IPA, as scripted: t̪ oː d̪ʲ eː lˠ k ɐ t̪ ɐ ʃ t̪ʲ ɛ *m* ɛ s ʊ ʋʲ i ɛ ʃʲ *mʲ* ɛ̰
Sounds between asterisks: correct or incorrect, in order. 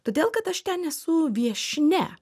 incorrect: n, incorrect: nʲ

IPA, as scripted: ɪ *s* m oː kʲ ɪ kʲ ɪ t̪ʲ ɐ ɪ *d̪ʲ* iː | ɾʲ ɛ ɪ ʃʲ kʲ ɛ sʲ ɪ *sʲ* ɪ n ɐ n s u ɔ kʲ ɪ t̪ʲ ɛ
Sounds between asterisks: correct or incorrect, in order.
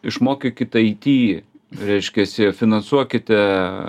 incorrect: ʃ, incorrect: t̪ʲ, incorrect: fʲ

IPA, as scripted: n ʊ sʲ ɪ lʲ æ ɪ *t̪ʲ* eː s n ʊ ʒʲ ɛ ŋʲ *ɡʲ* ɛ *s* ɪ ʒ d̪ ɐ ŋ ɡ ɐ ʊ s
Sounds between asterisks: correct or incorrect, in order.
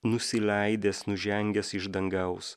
incorrect: d̪ʲ, correct, correct

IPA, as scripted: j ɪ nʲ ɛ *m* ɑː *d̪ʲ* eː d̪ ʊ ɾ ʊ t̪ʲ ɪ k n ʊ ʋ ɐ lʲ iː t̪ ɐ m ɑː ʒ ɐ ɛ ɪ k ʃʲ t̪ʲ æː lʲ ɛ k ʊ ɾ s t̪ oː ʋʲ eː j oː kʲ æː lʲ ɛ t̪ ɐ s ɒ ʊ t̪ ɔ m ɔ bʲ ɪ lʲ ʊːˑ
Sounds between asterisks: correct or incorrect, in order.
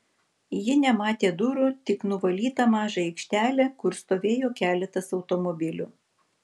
correct, incorrect: t̪ʲ

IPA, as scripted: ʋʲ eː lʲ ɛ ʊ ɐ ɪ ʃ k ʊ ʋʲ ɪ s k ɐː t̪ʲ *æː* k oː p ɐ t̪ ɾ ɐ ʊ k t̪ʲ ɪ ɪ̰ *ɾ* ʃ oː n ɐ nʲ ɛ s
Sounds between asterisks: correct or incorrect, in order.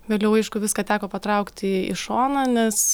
correct, incorrect: none

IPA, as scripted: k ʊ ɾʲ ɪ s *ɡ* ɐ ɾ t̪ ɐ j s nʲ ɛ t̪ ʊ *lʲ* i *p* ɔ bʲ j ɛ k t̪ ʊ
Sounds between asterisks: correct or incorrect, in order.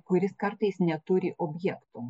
incorrect: k, incorrect: ɾʲ, incorrect: ʔ

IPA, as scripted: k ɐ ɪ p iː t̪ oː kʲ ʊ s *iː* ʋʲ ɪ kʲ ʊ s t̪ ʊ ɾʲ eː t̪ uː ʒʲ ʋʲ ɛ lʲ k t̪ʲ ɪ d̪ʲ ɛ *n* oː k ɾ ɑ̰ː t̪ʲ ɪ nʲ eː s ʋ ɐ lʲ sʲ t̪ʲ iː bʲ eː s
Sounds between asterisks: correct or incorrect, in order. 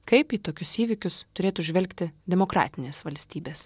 correct, incorrect: m

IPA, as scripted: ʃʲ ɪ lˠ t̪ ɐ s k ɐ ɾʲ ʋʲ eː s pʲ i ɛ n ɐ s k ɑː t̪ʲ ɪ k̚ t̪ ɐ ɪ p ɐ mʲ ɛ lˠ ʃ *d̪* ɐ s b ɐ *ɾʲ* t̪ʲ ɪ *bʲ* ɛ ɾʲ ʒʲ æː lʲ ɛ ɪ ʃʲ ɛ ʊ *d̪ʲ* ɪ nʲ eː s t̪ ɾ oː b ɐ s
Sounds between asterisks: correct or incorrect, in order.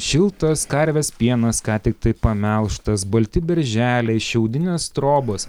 incorrect: t̪, incorrect: lʲ, correct, correct

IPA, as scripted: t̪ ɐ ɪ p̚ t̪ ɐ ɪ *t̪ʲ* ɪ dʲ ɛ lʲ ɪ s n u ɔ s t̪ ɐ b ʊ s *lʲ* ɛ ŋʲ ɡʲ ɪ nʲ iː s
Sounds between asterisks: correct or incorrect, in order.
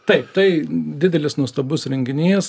incorrect: d̪ʲ, incorrect: ɾʲ

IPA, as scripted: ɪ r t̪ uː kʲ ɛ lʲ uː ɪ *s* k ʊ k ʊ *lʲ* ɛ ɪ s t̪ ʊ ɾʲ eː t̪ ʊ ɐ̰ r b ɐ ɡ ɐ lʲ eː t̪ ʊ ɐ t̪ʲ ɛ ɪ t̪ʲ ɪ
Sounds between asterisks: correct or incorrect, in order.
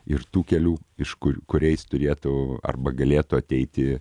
incorrect: ʃ, incorrect: ɾʲ

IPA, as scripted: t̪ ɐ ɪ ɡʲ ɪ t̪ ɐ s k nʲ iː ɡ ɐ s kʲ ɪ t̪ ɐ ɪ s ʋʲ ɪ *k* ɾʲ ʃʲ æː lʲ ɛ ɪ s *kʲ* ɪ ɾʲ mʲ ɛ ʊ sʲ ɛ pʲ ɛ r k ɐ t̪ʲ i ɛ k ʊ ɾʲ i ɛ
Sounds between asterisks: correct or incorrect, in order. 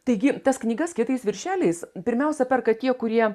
incorrect: none, incorrect: pʲ

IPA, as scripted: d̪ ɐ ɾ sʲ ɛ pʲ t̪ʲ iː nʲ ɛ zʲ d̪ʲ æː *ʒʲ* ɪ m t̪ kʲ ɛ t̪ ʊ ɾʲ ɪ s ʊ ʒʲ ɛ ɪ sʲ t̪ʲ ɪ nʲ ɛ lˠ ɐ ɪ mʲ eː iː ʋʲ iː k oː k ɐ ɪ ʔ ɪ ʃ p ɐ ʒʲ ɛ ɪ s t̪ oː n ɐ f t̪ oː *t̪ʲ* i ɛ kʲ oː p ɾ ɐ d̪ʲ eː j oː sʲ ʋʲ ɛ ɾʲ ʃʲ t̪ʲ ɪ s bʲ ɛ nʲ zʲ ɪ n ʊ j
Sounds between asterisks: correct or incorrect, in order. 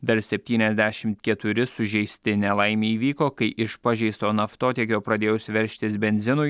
incorrect: ʃʲ, correct

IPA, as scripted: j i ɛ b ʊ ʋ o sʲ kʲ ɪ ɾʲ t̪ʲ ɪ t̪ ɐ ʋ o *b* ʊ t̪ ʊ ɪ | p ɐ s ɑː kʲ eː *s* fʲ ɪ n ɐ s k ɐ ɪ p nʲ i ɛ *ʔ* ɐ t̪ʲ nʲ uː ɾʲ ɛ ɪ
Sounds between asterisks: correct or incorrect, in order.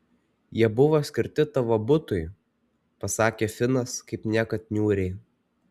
correct, incorrect: none, incorrect: k

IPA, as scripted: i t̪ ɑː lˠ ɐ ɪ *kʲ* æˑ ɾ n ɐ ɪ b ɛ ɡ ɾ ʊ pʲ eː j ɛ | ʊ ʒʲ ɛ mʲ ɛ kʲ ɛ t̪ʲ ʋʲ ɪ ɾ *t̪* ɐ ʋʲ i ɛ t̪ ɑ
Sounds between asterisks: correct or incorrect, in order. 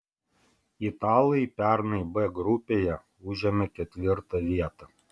incorrect: pʲ, correct

